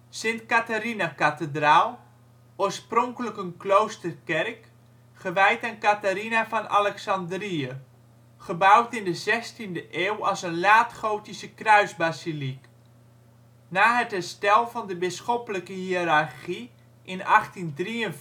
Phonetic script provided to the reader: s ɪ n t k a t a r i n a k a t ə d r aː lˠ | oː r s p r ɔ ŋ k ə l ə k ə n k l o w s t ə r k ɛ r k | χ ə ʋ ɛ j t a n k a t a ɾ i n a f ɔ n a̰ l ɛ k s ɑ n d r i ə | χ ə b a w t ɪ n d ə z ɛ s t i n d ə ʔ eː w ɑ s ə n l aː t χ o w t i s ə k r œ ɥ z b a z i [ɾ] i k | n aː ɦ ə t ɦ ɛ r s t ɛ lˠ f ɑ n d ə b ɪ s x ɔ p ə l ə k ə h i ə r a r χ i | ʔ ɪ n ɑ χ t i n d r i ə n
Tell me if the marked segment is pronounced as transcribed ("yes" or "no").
no